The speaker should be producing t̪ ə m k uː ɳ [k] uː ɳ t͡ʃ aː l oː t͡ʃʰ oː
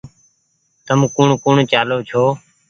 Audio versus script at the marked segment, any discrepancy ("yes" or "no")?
no